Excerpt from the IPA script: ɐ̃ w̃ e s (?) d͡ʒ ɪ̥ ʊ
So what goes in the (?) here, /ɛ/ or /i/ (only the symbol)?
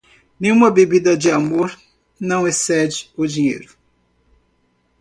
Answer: ɛ